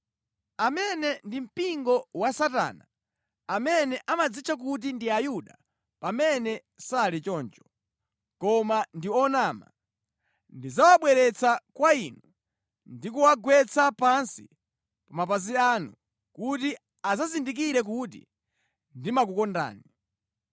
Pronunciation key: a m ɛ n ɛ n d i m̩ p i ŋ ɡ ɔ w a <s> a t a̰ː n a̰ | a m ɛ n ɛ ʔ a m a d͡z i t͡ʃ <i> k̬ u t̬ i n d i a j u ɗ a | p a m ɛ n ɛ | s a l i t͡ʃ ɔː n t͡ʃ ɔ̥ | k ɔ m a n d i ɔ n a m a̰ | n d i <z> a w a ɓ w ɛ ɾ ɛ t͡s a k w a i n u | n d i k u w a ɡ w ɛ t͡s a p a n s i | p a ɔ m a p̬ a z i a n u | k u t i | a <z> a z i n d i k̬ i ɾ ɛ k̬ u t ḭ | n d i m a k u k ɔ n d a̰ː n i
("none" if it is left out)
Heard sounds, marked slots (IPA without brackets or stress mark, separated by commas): s, a, z, z